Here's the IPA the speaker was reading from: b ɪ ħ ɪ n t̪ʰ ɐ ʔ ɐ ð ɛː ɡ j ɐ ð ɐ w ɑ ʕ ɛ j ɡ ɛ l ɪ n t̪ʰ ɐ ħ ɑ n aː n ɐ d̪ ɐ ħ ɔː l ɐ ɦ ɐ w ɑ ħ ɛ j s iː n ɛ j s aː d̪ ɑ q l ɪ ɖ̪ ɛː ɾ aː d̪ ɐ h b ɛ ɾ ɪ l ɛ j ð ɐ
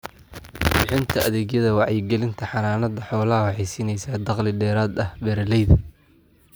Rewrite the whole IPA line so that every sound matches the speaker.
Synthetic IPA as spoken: b ɪ ħ ɪ n t̪ʰ ɐ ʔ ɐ ð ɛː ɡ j ɐ ð ɐ w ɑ ʕ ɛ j ɡ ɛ l ɪ n t̪ʰ ɐ ħ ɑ n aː n ɐ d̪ ɐ ħ ɔː l ɐ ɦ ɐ w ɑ ħ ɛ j s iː n ɛ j s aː d̪ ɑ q l ɪ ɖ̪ ɛː ɾ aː d̪ ɐ h b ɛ ɾ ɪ l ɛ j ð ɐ

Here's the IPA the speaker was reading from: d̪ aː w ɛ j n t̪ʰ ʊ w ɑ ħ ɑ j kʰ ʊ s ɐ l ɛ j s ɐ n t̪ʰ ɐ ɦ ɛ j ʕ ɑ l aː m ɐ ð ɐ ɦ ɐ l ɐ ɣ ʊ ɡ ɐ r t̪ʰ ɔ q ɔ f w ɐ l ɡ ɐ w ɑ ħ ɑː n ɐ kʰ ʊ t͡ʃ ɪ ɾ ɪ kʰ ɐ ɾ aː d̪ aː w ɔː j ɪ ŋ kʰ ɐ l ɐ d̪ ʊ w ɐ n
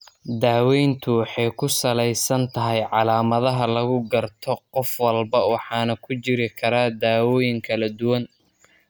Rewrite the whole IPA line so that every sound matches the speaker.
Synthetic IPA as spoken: d̪ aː w ɛ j n t̪ʰ ʊ w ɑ ħ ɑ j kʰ ʊ s ɐ l ɛ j s ɐ n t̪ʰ ɐ ɦ ɛ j ʕ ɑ l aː m ɐ ð ɐ ɦ ɐ l ɐ ɣ ʊ ɡ ɐ r t̪ʰ ɔ q ɔ f w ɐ l b ɐ w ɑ ħ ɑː n ɐ kʰ ʊ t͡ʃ ɪ ɾ ɪ kʰ ɐ ɾ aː d̪ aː w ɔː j ɪ ŋ kʰ ɐ l ɐ d̪ ʊ w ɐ n

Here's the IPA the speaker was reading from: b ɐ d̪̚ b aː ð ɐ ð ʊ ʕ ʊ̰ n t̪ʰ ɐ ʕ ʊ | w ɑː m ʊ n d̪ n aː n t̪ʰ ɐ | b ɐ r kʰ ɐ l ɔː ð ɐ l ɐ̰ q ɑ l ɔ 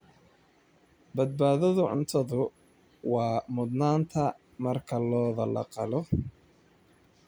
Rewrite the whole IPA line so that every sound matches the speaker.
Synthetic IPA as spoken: b ɐ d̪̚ b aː ð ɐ ð ʊ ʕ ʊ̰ n t̪ʰ ɐ ð ʊ | w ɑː m ʊ d̪ n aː n t̪ʰ ɐ | m ɐ r kʰ ɐ l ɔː ð ɐ l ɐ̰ q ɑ l ɔ

